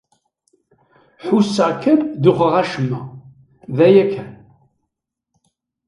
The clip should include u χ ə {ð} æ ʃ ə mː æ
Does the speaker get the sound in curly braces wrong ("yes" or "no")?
yes